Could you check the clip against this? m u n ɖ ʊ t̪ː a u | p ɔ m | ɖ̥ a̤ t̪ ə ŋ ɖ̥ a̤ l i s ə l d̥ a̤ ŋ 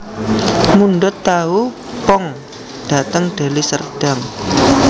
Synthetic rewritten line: m u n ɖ ʊ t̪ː a u | p ɔ ŋ | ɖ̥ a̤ t̪ ə ŋ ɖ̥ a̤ l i s ə r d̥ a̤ ŋ